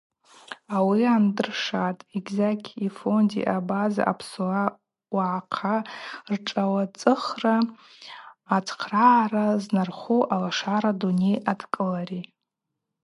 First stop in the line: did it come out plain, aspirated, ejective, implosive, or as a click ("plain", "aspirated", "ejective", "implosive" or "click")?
plain